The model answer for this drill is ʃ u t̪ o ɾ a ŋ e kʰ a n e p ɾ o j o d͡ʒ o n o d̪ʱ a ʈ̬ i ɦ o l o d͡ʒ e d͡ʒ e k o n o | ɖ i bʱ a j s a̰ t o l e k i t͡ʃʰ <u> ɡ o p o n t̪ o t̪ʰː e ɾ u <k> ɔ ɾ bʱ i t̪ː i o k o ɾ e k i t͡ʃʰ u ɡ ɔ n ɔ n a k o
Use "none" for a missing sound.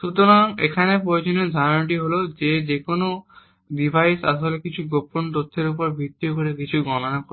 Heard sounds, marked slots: u, p

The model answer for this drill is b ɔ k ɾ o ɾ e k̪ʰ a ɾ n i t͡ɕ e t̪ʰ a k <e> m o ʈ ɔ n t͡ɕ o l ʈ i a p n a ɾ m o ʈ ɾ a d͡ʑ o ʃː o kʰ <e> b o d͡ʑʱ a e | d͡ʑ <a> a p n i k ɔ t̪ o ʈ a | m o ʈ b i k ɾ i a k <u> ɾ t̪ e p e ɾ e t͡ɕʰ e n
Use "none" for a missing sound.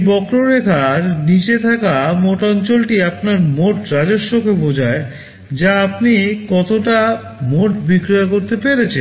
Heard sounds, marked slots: a, e, a, o

